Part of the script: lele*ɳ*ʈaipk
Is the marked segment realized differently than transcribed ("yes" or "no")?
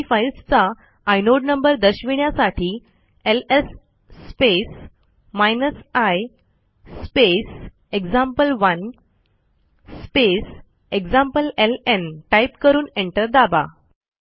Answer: yes